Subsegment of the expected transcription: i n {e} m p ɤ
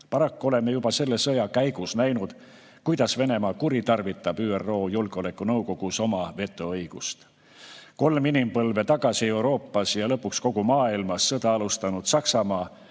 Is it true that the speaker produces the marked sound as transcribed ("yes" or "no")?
no